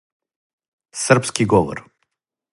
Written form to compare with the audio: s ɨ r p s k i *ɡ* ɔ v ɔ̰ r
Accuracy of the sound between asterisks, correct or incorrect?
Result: correct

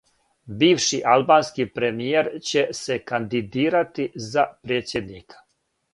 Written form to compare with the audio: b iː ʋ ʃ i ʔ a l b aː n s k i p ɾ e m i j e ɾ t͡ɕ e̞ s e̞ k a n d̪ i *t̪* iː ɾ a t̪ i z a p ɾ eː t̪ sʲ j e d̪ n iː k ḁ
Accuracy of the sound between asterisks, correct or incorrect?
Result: incorrect: d̪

